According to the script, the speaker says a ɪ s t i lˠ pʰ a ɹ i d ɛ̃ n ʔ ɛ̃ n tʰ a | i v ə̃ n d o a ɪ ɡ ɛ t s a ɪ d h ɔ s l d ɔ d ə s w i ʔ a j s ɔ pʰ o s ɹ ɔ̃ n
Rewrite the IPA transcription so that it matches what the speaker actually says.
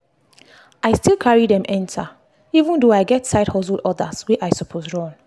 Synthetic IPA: a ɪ s t i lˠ kʰ a ɹ i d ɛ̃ m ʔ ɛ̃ n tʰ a | i v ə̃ n d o a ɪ ɡ ɛ t s a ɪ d h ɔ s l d ɔ d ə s w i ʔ a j s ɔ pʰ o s ɹ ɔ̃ n